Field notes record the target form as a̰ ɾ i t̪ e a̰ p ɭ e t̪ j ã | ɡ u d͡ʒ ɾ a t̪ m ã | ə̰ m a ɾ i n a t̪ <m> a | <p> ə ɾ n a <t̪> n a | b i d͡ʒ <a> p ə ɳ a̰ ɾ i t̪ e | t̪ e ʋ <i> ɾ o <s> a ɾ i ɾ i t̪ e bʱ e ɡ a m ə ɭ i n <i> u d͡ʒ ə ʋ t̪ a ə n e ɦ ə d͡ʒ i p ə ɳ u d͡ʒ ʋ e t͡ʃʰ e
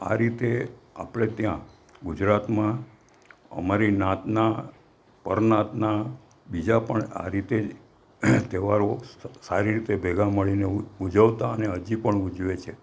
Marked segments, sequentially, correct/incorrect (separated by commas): incorrect, correct, correct, correct, incorrect, correct, incorrect